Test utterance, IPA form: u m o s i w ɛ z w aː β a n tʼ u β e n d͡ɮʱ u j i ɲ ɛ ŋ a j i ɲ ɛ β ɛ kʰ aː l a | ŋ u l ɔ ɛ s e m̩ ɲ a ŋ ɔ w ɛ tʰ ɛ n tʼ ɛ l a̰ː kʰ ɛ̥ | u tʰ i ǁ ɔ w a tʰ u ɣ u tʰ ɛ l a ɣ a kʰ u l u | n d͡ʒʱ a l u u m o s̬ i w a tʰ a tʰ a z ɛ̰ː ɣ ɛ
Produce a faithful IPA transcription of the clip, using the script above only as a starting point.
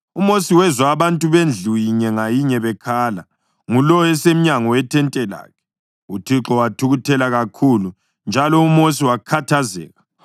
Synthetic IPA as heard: u m o s i w ɛ z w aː β a n tʼ u β e n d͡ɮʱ u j i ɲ ɛ ŋ a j i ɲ ɛ β ɛ kʰ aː l a | ŋ u l ɔ ɛ s e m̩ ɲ a ŋ ɔ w ɛ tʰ ɛ n tʼ ɛ l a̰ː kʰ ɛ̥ | u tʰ i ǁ ɔ w a tʰ u ɣ u tʰ ɛ l a ɣ a kʰ u l u | n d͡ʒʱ a l ɔ u m o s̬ i w a kʰ a tʰ a z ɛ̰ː ɣ a